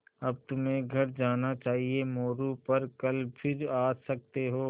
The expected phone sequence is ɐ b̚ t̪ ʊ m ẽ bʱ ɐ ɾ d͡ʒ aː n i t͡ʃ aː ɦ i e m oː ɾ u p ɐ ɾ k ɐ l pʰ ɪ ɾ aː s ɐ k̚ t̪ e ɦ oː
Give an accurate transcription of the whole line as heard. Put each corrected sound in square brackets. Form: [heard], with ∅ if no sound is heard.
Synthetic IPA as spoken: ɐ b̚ t̪ ʊ m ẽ [ɡʱ] ɐ ɾ d͡ʒ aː n [a] t͡ʃ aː ɦ i e m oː ɾ u p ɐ ɾ k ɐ l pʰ ɪ ɾ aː s ɐ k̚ t̪ e ɦ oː